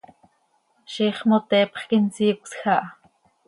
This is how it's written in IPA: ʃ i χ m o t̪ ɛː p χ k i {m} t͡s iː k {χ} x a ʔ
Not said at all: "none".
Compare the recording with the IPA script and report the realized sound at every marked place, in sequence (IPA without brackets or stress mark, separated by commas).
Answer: n, s